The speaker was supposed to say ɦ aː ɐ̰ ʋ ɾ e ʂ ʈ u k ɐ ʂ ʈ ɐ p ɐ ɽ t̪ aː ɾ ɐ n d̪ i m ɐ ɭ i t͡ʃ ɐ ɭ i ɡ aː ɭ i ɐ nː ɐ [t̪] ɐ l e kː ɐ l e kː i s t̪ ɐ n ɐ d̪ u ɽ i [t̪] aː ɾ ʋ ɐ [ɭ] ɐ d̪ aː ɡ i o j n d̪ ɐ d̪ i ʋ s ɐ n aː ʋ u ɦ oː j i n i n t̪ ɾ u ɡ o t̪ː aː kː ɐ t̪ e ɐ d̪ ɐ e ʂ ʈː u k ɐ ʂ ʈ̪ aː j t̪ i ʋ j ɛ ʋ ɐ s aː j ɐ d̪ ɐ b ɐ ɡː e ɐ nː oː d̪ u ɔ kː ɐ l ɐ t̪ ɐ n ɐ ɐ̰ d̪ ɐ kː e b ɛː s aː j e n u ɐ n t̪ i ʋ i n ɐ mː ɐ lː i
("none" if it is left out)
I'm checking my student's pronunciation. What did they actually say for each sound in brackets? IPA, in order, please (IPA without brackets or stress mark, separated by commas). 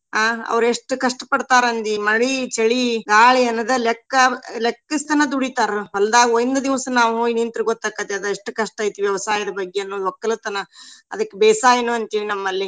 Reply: d̪, t̪, l